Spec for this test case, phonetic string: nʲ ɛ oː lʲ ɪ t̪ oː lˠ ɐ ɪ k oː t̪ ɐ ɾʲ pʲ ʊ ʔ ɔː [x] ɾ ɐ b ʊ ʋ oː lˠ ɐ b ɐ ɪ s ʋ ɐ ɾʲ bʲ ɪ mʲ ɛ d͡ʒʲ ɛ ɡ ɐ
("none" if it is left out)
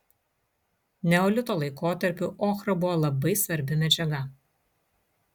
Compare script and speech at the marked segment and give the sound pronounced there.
x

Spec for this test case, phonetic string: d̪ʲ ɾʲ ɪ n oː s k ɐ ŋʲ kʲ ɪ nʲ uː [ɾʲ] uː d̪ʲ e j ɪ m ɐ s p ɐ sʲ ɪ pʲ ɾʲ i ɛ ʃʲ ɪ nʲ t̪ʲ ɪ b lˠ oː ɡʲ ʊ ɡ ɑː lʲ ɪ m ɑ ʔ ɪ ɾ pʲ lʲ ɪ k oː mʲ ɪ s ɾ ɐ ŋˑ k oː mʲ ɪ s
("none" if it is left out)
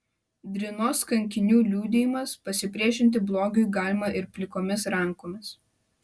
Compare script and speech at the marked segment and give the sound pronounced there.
lʲ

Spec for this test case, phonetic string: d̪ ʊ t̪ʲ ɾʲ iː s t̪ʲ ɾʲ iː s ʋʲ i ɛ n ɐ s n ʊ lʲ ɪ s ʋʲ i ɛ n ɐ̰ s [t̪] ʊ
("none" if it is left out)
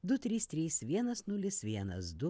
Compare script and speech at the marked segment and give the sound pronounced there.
d̪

